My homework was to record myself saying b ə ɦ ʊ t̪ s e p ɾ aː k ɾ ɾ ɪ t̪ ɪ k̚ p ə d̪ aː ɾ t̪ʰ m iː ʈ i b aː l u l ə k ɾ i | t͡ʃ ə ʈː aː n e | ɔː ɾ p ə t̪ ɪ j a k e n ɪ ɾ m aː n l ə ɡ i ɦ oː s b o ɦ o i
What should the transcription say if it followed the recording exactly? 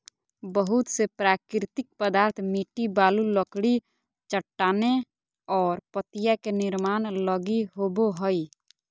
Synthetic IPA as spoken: b ə ɦ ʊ t̪ s e p ɾ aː k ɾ ɾ ɪ t̪ ɪ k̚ p ə d̪ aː ɾ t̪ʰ m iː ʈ i b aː l u l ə k ɽ i | t͡ʃ ə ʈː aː n e | ɔː ɾ p ə t̪ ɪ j a k e n ɪ ɾ m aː n l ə ɡ i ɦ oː b o ɦ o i